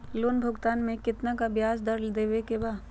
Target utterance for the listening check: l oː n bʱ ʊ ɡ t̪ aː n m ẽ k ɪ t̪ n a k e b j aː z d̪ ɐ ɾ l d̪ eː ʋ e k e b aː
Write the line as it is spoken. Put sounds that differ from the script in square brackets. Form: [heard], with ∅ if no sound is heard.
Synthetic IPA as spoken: l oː n bʱ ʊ ɡ t̪ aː n m ẽ k ɪ t̪ n a k [a] b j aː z d̪ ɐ ɾ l d̪ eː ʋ e k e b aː

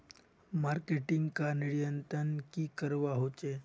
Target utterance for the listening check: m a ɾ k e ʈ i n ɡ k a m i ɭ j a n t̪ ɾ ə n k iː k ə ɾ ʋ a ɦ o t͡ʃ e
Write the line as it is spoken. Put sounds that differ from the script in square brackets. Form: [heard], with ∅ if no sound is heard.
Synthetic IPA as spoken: m a ɾ k e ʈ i [ŋ] ɡ k a [n] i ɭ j [ə] n t̪ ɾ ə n k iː k ə ɾ ʋ a ɦ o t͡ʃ e

